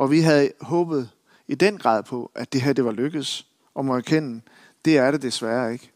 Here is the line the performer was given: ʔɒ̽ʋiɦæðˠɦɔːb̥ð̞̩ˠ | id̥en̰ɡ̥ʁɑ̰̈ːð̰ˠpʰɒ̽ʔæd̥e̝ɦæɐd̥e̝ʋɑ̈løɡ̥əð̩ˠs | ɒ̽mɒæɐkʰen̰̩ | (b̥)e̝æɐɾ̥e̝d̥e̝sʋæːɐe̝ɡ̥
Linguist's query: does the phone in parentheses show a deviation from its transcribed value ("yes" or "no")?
yes